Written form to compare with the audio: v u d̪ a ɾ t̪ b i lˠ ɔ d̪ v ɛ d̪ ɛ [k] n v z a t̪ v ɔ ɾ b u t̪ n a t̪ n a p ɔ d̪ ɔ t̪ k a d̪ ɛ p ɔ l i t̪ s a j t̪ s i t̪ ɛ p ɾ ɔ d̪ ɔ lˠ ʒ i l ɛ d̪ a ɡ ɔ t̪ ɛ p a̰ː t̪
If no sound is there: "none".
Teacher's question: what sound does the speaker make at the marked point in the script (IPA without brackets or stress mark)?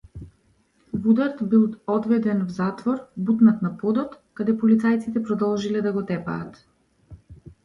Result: none